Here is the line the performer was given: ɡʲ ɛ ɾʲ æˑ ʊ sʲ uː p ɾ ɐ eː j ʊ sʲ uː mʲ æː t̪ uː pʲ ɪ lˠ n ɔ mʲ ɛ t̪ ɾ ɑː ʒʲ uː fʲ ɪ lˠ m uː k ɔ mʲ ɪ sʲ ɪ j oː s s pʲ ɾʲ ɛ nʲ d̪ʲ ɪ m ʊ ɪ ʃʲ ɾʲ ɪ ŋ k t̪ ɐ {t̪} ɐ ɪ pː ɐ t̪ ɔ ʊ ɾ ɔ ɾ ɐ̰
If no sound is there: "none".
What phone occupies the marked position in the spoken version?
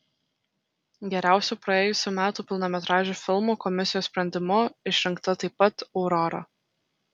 t̪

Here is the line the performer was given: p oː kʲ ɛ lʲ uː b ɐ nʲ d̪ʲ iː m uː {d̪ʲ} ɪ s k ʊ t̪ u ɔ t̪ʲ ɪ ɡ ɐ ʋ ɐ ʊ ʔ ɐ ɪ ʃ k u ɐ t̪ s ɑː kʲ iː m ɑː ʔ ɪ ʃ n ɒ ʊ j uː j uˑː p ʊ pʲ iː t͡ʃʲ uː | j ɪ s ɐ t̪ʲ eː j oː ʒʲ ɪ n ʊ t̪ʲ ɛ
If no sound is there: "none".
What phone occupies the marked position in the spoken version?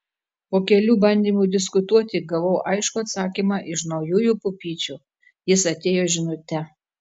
d̪ʲ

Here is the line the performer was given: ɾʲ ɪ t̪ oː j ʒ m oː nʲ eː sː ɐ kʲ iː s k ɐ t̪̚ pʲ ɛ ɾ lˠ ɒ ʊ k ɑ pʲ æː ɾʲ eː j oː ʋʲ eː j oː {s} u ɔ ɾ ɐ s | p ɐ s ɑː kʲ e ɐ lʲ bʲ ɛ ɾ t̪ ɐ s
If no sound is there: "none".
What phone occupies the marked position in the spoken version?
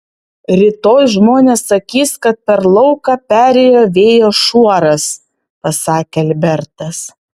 ʃ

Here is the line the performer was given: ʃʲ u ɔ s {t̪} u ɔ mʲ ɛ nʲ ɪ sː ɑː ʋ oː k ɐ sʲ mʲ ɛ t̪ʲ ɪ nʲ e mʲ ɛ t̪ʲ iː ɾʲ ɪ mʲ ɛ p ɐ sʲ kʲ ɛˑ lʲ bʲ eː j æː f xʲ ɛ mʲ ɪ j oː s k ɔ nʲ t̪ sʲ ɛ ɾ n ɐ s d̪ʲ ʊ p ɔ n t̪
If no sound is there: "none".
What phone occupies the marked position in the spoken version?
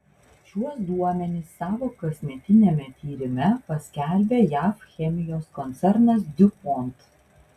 d̪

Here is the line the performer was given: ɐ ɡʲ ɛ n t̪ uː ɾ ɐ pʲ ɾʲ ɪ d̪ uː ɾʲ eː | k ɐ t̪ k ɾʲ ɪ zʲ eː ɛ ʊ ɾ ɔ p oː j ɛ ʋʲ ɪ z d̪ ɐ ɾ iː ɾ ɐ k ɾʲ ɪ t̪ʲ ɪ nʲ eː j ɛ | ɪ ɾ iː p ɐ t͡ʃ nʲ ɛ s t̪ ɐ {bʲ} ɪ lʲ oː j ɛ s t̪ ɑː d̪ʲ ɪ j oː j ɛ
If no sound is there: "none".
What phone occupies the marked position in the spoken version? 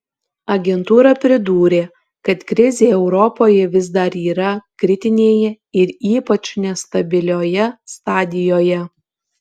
bʲ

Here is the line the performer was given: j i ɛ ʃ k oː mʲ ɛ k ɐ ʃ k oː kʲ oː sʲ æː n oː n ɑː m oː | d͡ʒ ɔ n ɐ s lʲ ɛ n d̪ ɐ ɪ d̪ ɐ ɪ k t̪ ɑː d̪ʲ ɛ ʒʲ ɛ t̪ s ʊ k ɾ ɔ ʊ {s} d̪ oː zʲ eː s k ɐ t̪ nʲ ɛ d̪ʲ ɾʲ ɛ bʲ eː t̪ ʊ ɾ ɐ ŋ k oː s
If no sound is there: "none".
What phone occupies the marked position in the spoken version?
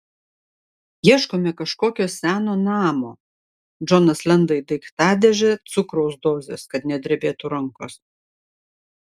s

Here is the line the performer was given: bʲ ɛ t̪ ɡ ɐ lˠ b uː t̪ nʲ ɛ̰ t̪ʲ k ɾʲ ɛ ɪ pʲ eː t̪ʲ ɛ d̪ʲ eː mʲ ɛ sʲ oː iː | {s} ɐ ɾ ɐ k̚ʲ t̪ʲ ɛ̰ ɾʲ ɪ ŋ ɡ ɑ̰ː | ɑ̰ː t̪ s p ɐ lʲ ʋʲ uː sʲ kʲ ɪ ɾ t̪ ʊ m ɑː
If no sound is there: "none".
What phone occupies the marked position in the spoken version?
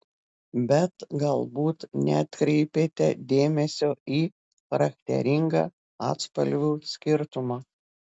x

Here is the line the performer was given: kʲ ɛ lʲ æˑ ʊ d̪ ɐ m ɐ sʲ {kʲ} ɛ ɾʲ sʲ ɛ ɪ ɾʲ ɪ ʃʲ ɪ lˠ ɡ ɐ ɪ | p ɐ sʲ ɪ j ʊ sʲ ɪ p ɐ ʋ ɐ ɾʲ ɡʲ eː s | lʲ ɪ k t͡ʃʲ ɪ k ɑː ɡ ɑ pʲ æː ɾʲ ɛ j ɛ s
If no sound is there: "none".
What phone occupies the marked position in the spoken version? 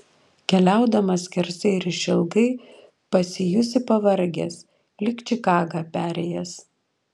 kʲ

